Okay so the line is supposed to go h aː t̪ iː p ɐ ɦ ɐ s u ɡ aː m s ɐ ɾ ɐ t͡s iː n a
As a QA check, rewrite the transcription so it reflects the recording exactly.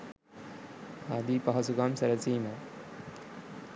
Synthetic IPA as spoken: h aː d̪ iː p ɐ ɦ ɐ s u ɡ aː m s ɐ ɾ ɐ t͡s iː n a

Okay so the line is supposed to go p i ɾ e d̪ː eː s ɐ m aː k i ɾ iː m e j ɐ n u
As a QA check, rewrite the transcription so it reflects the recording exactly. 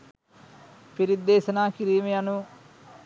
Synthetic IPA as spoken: p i ɾ i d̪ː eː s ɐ n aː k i ɾ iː m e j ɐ n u

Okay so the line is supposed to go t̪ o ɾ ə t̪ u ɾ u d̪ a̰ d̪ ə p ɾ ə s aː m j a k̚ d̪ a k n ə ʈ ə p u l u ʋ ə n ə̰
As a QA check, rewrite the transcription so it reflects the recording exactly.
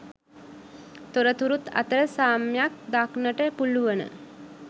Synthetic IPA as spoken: t̪ o ɾ ə t̪ u ɾ u t̪ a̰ t̪ ə ɾ ə s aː m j a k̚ d̪ a k n ə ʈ ə p u l u ʋ ə n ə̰

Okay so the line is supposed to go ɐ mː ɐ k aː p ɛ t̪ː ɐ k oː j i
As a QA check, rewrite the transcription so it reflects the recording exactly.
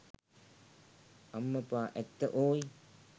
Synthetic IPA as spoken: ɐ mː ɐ p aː ʔ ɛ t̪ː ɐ ʔ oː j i

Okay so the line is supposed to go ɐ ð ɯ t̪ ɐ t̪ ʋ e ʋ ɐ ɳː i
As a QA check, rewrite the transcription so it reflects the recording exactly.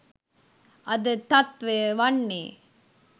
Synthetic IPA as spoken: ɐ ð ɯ t̪ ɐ t̪ ʋ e ʋ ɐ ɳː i

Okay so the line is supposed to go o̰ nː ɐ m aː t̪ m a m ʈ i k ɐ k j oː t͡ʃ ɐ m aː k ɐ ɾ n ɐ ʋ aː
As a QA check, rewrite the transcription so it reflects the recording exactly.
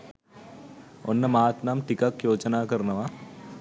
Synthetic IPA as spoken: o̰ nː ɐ m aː t̪ n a m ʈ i k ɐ k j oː t͡ʃ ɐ n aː k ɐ ɾ n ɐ ʋ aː

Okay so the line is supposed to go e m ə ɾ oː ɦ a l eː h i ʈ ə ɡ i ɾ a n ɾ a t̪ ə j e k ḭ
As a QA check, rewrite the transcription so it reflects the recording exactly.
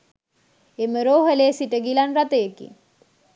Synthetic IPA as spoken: e m ə ɾ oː ɦ ə l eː s i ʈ ə ɡ i l a n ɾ a t̪ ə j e k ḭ

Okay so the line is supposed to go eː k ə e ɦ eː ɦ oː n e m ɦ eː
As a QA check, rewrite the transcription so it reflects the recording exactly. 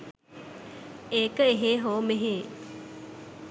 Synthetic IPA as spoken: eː k ə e ɦ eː ɦ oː m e ɦ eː

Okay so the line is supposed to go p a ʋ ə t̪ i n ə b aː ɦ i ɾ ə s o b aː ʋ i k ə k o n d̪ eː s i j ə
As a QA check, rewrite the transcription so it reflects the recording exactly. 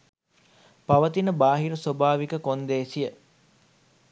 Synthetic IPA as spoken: p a ʋ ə t̪ i n ə b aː ɦ i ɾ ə s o b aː ʋ i k ə k o n d̪ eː s i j ə

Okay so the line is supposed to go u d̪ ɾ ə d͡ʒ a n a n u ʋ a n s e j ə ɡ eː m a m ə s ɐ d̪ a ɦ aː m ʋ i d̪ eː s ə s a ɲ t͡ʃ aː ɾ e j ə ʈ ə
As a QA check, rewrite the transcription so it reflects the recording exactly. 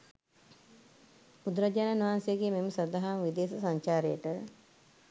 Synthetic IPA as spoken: u d̪ ɾ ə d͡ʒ a n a n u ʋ a n s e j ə ɡ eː m e m ə s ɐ d̪ a ɦ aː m ʋ i d̪ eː s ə s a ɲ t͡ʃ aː ɾ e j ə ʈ ə

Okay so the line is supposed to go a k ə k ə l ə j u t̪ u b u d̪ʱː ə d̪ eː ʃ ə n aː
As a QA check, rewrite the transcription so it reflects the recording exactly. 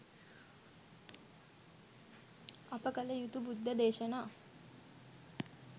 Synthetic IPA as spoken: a p ə k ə l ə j u t̪ u b u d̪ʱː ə d̪ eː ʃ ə n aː

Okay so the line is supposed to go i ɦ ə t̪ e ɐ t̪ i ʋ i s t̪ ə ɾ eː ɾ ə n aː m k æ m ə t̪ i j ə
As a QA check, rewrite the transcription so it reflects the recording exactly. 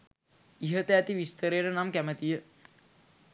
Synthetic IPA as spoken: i ɦ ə t̪ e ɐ t̪ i ʋ i s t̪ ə ɾ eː ɾ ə n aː m k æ m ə t̪ i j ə

